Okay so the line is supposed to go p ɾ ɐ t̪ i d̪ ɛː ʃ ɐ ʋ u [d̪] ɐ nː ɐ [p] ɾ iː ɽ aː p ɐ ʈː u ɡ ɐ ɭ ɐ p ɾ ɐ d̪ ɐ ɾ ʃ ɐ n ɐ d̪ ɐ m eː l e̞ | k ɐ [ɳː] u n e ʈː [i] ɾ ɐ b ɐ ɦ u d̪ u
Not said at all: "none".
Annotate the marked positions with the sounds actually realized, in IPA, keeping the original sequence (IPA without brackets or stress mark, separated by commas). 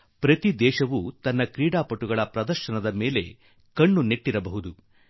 t̪, k, ɳː, i